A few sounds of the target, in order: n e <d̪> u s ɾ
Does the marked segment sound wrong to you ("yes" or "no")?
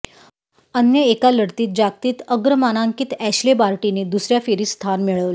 no